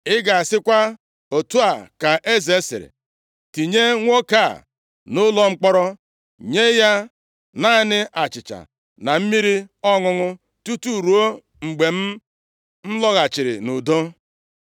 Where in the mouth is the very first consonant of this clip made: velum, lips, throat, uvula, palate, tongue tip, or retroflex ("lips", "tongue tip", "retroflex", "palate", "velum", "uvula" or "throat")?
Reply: velum